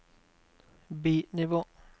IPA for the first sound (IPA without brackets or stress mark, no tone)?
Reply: b